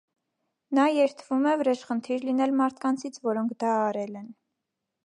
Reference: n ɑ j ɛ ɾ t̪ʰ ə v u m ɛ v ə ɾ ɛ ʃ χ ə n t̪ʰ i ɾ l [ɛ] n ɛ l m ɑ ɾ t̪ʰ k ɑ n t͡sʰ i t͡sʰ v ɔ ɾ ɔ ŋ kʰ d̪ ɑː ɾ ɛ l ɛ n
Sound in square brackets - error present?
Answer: yes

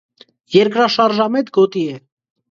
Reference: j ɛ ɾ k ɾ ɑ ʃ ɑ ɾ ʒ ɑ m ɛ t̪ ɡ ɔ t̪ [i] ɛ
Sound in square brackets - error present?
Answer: no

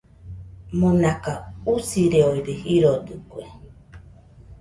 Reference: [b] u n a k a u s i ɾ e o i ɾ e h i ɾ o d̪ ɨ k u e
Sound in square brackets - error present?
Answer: yes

